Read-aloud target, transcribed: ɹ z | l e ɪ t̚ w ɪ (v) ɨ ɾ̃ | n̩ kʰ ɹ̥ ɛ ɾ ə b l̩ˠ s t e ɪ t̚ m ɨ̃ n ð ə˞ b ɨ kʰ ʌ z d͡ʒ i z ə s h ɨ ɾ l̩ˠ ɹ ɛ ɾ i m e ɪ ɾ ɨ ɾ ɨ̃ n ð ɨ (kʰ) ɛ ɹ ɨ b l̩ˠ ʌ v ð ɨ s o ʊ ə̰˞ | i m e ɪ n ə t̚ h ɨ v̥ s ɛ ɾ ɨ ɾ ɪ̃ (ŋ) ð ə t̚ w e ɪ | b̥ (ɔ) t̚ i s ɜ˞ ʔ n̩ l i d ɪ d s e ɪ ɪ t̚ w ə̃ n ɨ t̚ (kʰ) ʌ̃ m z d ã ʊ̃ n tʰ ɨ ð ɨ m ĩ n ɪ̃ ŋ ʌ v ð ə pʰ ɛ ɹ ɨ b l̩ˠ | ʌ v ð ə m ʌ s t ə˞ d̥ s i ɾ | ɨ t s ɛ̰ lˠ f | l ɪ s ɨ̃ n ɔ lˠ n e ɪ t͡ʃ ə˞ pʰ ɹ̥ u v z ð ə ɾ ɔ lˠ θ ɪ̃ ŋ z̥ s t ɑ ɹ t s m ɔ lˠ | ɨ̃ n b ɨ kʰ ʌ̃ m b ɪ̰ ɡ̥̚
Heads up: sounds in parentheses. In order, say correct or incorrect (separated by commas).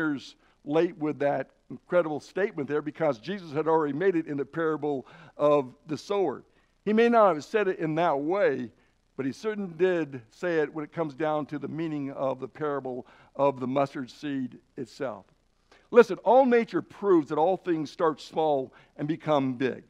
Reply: incorrect, incorrect, incorrect, incorrect, correct